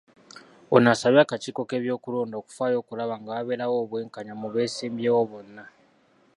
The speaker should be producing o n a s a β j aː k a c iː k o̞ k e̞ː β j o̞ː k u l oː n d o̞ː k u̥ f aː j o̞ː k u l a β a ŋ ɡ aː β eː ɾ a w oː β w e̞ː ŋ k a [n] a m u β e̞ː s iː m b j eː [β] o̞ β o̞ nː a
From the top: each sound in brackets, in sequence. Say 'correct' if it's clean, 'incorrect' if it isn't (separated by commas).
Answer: incorrect, incorrect